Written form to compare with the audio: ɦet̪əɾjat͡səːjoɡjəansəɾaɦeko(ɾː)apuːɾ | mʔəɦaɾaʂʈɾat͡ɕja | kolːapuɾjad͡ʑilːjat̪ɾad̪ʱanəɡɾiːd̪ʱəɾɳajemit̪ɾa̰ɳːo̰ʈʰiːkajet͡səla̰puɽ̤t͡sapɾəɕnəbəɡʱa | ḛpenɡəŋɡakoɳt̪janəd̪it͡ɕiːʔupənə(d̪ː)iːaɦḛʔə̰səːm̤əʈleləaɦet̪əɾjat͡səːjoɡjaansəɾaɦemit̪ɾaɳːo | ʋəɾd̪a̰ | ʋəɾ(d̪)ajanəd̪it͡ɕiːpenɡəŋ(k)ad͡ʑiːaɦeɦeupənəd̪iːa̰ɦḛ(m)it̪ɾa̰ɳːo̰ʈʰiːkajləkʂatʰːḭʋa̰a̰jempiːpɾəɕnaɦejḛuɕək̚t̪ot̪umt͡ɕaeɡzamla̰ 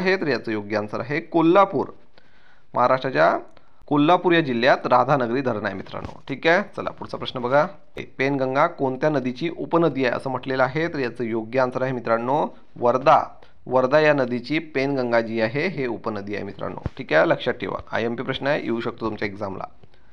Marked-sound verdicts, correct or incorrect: incorrect, incorrect, correct, incorrect, correct

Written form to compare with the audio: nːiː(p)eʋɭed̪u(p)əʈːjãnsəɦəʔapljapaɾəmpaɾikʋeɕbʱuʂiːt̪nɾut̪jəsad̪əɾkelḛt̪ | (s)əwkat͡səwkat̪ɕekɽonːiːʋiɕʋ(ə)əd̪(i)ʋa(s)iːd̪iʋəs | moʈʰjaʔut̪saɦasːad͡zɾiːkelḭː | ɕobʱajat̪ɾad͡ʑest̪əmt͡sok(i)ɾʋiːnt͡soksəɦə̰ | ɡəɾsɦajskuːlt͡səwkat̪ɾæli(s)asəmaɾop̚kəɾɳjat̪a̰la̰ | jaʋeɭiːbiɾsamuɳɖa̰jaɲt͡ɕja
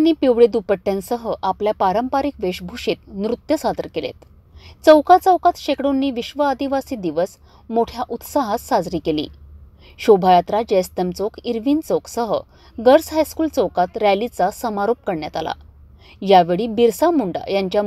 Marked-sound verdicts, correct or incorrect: correct, correct, incorrect, correct, correct, correct, correct, incorrect

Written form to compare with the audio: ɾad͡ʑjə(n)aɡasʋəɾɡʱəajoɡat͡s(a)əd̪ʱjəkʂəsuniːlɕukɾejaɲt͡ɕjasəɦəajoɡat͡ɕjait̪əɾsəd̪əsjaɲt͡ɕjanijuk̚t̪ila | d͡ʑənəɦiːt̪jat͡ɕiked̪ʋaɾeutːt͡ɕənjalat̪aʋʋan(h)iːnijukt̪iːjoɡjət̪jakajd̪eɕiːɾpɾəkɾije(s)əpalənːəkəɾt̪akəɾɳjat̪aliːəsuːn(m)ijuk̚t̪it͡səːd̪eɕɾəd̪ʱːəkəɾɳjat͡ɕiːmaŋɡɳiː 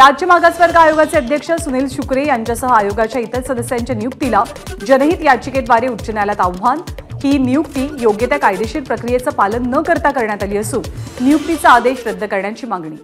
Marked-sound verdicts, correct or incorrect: incorrect, incorrect, correct, incorrect, incorrect

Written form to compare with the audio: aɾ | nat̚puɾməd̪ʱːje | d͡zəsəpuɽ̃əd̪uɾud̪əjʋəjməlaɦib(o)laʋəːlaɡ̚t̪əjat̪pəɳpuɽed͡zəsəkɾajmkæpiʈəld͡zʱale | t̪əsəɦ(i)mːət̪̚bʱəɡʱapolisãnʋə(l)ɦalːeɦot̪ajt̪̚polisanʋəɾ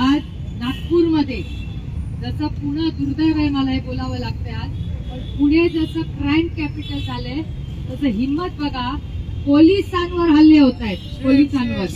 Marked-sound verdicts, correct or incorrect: correct, correct, incorrect

